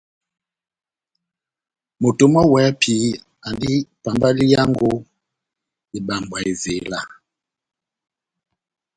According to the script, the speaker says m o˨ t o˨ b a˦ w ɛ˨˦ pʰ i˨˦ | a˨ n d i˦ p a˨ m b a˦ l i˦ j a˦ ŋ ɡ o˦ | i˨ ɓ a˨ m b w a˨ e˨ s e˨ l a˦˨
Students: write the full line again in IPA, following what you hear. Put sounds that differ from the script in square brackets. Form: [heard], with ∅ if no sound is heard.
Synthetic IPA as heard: m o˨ t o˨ [m] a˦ w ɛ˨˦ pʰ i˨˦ | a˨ n d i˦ p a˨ m b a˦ l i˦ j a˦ ŋ ɡ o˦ | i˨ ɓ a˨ m b w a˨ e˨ [z] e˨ l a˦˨